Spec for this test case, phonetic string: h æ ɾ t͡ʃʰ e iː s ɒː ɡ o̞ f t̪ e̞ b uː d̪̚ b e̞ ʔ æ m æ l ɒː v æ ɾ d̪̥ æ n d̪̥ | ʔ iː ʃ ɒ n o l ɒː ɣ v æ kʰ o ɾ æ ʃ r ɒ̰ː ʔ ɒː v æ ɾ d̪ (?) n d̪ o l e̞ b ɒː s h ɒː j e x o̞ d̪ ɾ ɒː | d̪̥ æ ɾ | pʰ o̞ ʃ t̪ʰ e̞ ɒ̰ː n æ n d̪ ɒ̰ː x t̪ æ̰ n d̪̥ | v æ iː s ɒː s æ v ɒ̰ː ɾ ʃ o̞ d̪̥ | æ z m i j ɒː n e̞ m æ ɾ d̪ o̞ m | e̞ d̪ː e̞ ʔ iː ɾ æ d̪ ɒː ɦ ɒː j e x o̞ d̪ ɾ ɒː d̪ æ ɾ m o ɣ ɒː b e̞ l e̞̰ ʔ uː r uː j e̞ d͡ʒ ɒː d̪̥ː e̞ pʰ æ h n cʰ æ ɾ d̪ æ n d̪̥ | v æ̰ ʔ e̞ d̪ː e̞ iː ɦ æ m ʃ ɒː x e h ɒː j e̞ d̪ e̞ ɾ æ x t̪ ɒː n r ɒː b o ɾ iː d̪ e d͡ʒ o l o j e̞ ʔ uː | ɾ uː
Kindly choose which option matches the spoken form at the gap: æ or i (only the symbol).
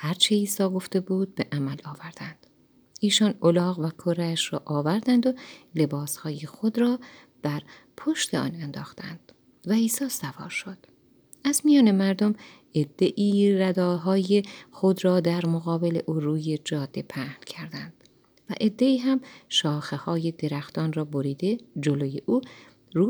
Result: æ